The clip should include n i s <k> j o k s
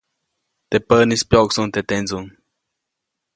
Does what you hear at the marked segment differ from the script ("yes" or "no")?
yes